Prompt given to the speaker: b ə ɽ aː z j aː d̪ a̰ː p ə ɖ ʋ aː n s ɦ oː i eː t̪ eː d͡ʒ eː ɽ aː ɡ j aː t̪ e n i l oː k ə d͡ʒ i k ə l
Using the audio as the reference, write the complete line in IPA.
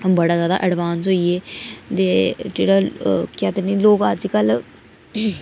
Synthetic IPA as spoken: b ə ɽ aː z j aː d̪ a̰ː ʔ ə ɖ ʋ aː n s ɦ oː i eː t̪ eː d͡ʒ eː ɽ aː k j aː t̪ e n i l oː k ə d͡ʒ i k ə l